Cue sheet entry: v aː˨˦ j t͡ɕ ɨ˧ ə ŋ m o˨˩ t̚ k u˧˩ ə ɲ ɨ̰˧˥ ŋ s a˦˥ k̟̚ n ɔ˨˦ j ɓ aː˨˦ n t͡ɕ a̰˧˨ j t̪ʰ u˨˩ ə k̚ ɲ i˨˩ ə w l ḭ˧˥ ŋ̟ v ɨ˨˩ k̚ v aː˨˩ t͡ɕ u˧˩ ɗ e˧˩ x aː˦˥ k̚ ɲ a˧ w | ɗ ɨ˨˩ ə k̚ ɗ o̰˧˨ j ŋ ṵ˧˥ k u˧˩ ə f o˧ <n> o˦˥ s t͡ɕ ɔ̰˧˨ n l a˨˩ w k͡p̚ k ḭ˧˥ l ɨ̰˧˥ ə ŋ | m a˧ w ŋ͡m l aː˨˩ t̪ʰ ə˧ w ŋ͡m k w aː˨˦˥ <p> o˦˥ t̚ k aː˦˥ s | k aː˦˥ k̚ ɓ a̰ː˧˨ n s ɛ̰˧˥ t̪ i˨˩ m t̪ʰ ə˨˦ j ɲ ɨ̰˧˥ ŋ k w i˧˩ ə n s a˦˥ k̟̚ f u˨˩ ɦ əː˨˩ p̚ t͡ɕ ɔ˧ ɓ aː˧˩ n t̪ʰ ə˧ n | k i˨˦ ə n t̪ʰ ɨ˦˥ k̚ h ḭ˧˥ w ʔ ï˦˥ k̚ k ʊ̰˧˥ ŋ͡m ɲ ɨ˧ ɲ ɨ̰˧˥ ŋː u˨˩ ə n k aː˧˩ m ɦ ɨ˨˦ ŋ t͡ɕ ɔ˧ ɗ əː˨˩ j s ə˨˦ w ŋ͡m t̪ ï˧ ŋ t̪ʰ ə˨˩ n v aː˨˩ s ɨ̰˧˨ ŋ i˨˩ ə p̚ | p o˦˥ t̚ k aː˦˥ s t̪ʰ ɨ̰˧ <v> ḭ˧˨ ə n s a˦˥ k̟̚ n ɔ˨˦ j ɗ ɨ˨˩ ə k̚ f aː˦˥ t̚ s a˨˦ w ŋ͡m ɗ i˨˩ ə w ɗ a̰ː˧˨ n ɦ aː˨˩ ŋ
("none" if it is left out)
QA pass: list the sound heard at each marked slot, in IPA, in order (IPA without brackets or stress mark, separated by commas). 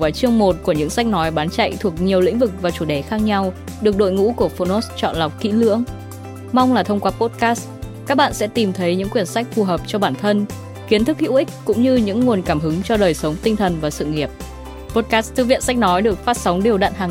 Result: n, p, v